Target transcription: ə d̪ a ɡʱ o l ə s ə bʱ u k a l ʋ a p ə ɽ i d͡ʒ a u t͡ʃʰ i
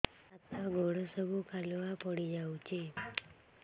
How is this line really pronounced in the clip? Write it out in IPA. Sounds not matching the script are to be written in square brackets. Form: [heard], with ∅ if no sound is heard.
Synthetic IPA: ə [t̪] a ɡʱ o [ɽ] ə s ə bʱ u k a l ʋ a p ə ɽ i d͡ʒ a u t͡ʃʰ [e]